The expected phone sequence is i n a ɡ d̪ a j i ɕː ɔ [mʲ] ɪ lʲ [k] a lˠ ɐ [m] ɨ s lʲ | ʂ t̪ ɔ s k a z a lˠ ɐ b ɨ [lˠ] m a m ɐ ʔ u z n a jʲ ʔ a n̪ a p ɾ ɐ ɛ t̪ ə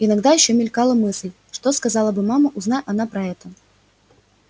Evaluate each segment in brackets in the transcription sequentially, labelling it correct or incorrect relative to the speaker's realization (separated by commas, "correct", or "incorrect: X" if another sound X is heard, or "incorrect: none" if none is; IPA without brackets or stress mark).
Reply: correct, correct, correct, incorrect: none